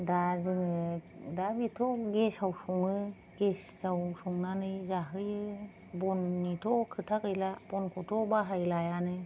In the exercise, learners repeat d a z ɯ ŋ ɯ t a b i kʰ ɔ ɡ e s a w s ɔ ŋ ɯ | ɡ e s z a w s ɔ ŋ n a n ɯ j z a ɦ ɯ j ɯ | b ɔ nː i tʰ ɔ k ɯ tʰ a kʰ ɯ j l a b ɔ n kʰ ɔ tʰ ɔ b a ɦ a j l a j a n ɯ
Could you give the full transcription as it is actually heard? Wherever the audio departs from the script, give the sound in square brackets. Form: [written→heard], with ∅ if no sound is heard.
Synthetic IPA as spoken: d a z ɯ ŋ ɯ [t→d] a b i [kʰ→tʰ] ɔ ɡ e s a w s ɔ ŋ ɯ | ɡ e s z a w s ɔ ŋ n a n ɯ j z a ɦ ɯ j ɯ | b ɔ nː i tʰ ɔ [k→kʰ] ɯ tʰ a [kʰ→k] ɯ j l a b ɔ n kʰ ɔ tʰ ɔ b a ɦ a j l a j a n ɯ